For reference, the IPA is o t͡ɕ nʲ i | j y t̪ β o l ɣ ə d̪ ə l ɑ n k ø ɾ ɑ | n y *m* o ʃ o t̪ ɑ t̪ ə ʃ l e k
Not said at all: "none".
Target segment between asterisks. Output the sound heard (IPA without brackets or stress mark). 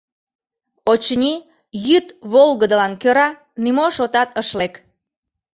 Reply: m